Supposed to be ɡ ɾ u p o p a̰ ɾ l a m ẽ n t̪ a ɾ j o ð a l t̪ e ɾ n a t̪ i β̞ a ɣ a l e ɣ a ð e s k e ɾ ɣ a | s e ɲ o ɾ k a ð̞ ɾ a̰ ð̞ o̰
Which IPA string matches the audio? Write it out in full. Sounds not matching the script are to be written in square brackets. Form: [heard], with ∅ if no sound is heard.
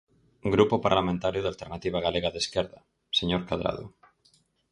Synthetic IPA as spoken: ɡ ɾ u p o p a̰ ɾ l a m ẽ n t̪ a ɾ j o ð a l t̪ e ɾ n a t̪ i β̞ a ɣ a l e ɣ a ð e s k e ɾ [ð] a | s e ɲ o ɾ k a ð̞ ɾ a̰ ð̞ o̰